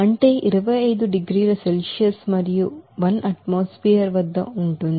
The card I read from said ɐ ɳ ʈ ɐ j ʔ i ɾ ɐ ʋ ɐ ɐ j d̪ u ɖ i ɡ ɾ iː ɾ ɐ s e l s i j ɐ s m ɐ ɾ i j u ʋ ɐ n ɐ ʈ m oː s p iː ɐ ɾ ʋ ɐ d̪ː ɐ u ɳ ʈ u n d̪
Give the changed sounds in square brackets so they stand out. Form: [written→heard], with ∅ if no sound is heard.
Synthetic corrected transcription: ɐ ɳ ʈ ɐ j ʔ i ɾ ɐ ʋ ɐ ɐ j d̪ u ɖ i ɡ ɾ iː ɾ ɐ s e l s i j ɐ s m ɐ ɾ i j u ʋ ɐ n ɐ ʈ m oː s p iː ɐ ɾ ʋ ɐ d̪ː ɐ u ɳ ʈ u n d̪

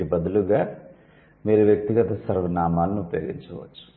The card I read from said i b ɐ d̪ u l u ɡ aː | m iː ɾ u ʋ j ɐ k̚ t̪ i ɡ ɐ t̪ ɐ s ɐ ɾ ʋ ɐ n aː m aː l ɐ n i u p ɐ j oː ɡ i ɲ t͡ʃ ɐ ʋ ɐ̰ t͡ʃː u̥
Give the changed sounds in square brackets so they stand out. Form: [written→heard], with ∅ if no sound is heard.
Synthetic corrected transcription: i b ɐ d̪ u l u ɡ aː | m iː ɾ u ʋ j ɐ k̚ t̪ i ɡ ɐ t̪ ɐ s ɐ ɾ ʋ ɐ n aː m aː l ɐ n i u p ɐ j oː ɡ i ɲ t͡ʃ ɐ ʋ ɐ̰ t͡ʃː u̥

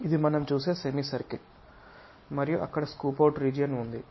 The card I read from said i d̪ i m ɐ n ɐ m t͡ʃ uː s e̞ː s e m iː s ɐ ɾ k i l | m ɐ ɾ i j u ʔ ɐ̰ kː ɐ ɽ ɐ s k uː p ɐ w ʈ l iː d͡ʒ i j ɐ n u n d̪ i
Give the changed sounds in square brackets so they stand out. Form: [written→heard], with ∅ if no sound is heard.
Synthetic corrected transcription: i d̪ i m ɐ n ɐ m t͡ʃ uː s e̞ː s e m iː s ɐ ɾ k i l | m ɐ ɾ i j u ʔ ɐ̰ kː ɐ ɽ ɐ s k uː p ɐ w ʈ [l→ɾ] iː d͡ʒ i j ɐ n u n d̪ i

